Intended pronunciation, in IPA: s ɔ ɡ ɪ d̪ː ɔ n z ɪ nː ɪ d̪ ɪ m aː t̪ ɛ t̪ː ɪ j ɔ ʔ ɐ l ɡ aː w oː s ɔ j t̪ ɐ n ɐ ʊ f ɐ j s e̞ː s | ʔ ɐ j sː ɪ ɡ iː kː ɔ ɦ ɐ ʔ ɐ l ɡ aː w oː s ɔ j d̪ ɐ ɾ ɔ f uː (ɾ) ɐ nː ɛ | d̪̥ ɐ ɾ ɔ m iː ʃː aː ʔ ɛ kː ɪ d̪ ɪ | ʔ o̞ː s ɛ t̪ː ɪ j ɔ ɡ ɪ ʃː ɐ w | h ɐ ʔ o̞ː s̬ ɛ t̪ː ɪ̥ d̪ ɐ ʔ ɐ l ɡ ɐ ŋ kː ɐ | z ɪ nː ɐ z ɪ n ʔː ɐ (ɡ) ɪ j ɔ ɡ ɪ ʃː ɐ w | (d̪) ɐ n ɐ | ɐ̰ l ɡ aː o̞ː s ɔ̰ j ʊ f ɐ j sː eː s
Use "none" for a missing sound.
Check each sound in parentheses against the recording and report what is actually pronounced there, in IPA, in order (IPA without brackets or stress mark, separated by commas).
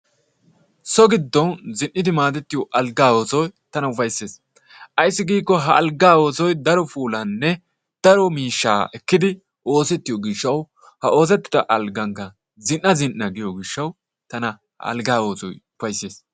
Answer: l, ɡ, t̪